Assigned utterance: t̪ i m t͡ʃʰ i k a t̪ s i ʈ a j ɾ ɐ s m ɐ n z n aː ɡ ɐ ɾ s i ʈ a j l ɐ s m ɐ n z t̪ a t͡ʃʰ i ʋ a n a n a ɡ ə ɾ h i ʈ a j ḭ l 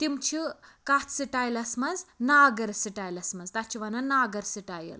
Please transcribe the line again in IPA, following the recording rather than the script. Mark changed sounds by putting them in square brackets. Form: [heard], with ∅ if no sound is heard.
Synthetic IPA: t̪ i m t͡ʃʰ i k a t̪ s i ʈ a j [l] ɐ s m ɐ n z n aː ɡ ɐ ɾ s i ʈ a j l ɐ s m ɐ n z t̪ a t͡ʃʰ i ʋ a n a n a ɡ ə ɾ [s] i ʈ a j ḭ l